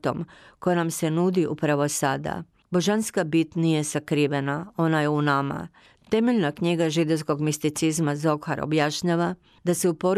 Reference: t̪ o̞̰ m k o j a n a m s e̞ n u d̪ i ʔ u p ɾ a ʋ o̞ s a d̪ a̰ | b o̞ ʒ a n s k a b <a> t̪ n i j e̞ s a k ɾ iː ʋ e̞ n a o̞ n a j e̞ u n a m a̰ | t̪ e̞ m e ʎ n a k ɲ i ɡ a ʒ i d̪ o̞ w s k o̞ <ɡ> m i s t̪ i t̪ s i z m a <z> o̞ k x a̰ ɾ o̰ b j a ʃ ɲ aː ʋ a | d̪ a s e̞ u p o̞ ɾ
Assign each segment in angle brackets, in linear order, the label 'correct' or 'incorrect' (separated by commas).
incorrect, correct, correct